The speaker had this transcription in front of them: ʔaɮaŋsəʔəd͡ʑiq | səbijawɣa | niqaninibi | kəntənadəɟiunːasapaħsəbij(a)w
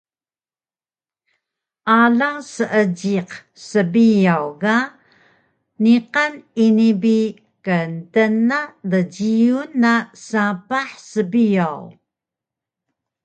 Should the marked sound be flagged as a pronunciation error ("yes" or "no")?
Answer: no